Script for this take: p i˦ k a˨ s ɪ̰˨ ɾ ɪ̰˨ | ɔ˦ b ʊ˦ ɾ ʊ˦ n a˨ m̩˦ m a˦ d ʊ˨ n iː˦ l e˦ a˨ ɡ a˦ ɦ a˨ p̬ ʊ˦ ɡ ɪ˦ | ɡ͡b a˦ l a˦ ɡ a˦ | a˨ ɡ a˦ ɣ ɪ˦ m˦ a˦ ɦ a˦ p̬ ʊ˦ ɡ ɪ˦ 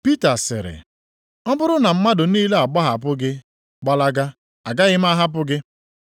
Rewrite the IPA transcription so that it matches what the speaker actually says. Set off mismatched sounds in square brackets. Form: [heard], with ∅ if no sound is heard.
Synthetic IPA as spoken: p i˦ [t] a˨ s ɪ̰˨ ɾ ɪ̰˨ | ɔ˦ b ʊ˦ ɾ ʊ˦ n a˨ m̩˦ m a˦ d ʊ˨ n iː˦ l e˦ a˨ [ɡ͡b] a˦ ɦ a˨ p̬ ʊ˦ ɡ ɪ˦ | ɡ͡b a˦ l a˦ ɡ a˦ | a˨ ɡ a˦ ɣ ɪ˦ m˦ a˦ ɦ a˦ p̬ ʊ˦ ɡ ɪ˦